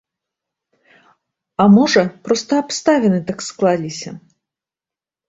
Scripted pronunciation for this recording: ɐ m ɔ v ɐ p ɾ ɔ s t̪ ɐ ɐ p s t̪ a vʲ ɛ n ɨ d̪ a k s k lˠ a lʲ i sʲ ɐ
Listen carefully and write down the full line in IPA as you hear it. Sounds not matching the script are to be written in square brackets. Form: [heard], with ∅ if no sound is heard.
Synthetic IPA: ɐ m ɔ [ʐ] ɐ p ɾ ɔ s t̪ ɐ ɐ p s t̪ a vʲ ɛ n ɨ [t̪] a k s k lˠ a lʲ i sʲ ɐ